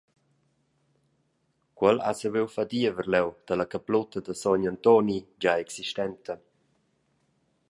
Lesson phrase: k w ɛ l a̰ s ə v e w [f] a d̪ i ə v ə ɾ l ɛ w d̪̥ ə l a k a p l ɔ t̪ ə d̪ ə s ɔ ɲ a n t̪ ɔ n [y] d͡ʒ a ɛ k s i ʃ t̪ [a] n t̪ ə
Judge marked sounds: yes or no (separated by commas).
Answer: yes, no, no